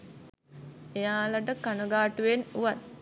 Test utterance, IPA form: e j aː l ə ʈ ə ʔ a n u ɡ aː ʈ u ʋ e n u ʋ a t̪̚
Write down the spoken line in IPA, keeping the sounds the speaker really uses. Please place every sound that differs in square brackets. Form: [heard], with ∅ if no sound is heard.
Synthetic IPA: e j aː l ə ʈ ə [k] a n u ɡ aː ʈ u ʋ e n u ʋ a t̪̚